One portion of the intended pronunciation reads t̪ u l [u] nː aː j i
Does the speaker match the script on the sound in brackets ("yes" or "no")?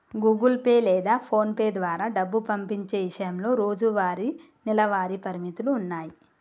no